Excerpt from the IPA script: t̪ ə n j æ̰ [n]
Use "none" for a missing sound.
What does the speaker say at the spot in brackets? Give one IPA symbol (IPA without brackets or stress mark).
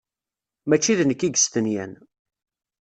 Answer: n